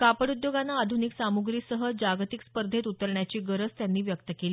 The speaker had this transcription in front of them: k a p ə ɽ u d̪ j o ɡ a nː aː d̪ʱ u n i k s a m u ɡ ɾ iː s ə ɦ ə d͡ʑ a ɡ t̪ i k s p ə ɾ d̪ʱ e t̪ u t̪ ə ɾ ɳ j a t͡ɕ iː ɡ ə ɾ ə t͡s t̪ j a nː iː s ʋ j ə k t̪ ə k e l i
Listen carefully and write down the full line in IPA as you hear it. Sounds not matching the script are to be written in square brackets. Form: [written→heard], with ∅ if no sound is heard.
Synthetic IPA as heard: k a p ə ɽ u d̪ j o ɡ a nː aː d̪ʱ u n i k s a m u ɡ ɾ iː s ə ɦ ə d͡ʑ a ɡ t̪ i k s p ə ɾ d̪ʱ e t̪ u t̪ ə ɾ ɳ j a t͡ɕ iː ɡ ə ɾ ə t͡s t̪ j a nː iː [s→∅] ʋ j ə k t̪ ə k e l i